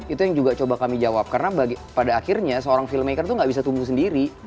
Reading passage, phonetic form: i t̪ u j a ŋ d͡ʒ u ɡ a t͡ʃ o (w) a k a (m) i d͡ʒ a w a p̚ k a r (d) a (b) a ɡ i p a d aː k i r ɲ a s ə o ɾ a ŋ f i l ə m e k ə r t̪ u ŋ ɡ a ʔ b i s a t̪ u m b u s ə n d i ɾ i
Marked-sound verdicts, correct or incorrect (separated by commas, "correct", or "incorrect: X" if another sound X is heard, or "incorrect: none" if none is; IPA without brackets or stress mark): incorrect: b, correct, incorrect: n, correct